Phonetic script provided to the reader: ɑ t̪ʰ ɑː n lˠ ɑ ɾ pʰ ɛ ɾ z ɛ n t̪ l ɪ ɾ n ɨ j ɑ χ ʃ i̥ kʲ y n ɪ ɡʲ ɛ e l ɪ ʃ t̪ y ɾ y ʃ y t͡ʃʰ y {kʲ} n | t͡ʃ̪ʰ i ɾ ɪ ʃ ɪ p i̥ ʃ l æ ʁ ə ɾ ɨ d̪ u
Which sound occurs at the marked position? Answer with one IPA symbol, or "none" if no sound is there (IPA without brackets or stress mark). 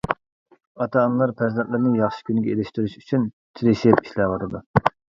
none